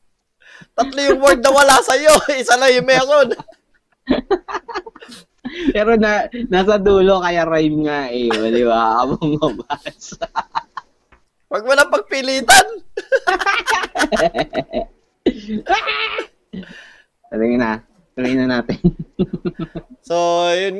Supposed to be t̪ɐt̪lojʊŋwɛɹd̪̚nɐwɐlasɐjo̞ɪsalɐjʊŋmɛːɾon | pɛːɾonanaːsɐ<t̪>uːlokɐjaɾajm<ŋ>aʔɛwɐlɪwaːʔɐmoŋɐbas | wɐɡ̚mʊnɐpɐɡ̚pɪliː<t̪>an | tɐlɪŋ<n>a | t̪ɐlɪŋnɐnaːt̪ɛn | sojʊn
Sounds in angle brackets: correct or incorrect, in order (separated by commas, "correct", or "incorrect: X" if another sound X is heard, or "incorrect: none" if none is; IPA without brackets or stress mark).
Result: incorrect: d̪, correct, correct, correct